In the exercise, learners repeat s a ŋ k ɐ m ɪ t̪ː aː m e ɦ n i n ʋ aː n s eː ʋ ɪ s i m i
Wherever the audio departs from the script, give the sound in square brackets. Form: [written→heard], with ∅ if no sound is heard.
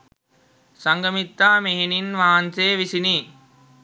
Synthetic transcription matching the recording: s [a→ɐ] ŋ [k→ɡ] ɐ m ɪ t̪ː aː m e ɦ n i n ʋ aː n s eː ʋ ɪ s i [m→n] i